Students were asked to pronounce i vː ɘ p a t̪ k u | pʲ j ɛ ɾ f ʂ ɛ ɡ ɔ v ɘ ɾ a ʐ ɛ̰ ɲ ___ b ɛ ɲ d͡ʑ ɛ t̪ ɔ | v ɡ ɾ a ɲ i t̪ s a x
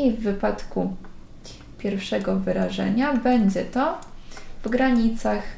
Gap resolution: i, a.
a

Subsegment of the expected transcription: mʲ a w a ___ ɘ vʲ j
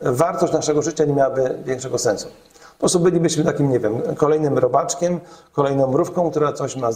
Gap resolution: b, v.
b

